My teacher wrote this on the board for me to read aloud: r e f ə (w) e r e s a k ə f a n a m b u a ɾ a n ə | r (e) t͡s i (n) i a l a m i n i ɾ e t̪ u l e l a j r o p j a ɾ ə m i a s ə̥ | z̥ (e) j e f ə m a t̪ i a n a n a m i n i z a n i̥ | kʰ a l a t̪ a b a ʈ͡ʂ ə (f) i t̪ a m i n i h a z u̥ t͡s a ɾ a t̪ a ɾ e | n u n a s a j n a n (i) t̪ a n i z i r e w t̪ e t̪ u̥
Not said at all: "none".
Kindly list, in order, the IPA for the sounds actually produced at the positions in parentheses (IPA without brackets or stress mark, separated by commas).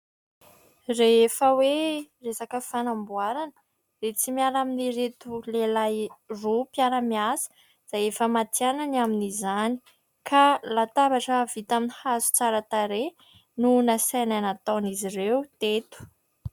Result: w, e, m, a, v, a